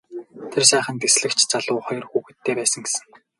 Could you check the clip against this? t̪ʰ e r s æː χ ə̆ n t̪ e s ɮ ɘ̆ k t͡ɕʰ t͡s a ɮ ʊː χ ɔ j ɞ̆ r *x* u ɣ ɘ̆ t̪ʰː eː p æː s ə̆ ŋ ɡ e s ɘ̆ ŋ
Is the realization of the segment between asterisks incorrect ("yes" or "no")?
no